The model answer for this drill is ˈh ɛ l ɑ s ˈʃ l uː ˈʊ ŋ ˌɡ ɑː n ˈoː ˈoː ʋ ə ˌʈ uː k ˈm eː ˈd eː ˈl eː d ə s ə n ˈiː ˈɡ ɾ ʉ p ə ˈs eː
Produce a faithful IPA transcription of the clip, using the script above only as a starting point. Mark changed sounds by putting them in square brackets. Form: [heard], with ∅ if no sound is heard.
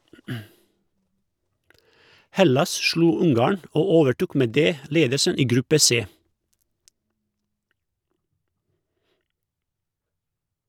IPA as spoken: ˈh ɛ l ɑ s ˈʃ l uː ˈʊ ŋ ˌɡ ɑː [ɳ] ˈoː ˈoː ʋ ə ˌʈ uː k ˈm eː ˈd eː ˈl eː d ə s ə n ˈiː ˈɡ ɾ ʉ p ə ˈs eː